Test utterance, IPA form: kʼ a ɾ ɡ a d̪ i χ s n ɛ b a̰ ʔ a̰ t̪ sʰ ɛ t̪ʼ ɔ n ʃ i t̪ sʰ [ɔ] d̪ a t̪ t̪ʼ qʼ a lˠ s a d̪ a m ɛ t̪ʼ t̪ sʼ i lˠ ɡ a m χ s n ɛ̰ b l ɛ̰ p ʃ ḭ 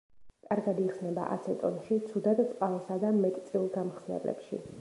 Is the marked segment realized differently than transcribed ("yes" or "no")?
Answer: yes